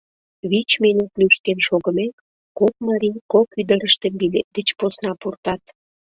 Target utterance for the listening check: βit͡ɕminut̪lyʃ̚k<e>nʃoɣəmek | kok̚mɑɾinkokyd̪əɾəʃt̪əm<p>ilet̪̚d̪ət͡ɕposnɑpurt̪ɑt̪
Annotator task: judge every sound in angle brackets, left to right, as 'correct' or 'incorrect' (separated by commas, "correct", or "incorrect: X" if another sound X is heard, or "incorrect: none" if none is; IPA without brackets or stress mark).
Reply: correct, incorrect: b